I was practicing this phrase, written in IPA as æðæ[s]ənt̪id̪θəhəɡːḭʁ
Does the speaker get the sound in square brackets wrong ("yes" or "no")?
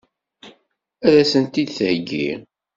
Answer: no